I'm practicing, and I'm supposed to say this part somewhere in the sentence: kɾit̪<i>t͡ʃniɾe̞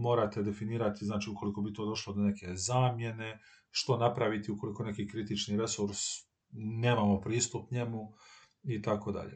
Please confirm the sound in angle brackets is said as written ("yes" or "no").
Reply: yes